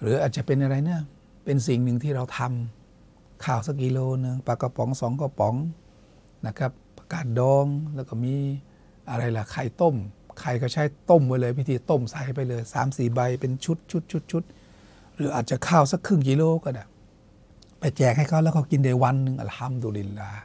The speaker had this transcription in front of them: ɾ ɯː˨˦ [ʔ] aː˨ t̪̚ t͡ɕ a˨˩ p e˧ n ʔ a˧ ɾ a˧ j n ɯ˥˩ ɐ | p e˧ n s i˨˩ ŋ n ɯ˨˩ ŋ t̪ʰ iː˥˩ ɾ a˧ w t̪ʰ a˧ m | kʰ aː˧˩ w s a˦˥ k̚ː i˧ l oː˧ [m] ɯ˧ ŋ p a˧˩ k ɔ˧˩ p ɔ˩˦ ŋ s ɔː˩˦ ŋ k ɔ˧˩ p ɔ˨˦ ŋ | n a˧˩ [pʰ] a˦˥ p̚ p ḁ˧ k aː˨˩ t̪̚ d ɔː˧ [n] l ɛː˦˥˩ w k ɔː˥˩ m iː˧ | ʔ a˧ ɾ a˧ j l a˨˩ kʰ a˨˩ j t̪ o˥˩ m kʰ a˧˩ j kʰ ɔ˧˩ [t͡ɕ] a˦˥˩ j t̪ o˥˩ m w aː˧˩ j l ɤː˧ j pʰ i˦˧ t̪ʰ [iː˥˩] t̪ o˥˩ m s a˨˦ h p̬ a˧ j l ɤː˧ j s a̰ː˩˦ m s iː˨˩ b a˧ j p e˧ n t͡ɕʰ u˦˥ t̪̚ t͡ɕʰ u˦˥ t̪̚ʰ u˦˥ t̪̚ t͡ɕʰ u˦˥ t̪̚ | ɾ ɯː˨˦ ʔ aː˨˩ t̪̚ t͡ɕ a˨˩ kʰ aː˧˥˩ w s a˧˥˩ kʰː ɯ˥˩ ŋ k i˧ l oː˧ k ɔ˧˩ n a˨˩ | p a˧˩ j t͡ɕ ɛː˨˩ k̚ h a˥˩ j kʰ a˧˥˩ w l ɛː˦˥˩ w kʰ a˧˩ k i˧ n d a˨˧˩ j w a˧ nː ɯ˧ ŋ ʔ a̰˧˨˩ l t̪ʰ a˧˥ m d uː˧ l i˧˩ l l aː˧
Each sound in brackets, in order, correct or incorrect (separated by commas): correct, incorrect, incorrect, incorrect, incorrect, incorrect